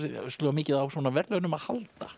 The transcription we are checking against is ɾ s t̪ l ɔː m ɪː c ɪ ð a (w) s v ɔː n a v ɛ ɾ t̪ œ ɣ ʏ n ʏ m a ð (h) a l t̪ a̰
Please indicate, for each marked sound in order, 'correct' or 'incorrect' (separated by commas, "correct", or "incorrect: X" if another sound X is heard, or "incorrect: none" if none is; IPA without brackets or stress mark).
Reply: correct, correct